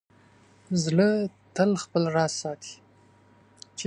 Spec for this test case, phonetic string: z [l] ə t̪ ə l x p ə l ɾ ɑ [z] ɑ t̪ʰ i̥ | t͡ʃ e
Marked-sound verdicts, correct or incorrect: correct, incorrect

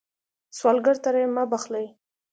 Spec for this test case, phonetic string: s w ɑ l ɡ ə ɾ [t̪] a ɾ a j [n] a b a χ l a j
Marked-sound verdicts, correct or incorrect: correct, incorrect

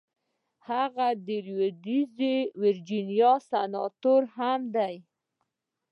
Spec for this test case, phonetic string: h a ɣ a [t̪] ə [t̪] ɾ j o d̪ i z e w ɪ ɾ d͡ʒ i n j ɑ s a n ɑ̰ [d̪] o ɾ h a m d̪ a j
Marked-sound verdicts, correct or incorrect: incorrect, incorrect, incorrect

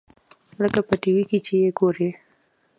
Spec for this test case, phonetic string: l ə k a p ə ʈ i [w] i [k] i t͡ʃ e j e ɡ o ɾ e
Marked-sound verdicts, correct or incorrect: correct, correct

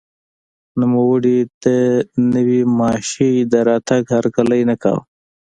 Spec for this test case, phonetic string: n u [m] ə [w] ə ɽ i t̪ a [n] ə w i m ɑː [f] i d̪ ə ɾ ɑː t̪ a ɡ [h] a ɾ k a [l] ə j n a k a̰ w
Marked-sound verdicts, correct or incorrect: correct, correct, correct, incorrect, correct, correct

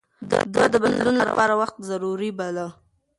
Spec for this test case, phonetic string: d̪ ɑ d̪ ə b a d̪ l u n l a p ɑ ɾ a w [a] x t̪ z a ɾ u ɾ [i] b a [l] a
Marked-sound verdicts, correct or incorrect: correct, correct, correct

